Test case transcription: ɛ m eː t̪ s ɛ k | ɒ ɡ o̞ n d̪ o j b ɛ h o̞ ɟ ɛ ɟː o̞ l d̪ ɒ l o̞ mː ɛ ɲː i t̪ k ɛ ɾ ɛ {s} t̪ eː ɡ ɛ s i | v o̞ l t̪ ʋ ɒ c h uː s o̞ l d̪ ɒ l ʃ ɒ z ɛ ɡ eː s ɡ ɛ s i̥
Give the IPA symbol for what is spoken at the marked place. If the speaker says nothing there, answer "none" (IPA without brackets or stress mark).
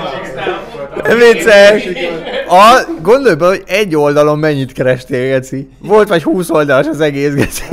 ʃ